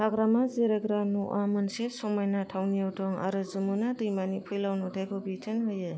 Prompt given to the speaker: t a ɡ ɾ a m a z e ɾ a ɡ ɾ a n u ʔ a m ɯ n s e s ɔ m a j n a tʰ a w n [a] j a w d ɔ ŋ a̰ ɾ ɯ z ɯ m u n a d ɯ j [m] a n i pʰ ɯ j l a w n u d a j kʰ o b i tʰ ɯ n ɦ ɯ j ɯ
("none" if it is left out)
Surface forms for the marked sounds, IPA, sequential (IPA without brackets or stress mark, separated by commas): i, m